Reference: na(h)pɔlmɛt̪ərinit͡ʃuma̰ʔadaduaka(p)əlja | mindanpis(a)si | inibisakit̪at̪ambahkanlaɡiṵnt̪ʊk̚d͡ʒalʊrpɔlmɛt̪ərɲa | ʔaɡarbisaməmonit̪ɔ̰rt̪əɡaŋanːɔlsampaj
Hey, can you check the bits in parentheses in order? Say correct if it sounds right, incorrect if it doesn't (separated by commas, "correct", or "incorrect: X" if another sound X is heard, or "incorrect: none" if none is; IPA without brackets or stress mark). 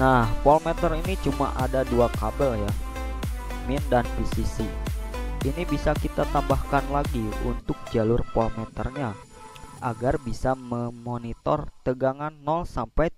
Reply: correct, incorrect: b, incorrect: i